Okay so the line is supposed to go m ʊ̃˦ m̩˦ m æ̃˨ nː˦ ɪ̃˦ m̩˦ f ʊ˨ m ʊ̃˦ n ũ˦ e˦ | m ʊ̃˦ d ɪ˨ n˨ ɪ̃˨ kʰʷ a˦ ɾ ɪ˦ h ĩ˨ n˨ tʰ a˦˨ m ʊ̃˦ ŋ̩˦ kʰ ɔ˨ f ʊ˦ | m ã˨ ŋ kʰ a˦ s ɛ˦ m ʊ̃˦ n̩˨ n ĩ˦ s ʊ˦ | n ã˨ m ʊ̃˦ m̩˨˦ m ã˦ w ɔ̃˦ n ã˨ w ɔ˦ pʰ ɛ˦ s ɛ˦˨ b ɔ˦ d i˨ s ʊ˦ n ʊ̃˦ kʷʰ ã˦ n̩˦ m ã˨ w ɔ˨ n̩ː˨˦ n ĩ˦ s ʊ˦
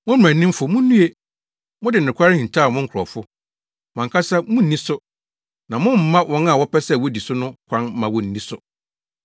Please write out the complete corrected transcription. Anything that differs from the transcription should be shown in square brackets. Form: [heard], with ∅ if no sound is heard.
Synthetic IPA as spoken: m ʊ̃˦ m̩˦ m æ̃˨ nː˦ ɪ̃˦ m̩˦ f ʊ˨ m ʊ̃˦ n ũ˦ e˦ | m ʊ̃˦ d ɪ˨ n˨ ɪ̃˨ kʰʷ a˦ ɾ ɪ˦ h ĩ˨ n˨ tʰ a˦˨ m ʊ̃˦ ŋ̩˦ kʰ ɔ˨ f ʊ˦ | m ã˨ ŋ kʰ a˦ s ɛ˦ m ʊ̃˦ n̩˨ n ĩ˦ s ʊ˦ | n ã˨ m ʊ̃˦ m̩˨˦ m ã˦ w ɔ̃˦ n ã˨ w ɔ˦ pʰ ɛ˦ s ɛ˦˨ [w] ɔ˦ d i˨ s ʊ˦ n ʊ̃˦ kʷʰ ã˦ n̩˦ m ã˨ w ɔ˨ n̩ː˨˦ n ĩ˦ s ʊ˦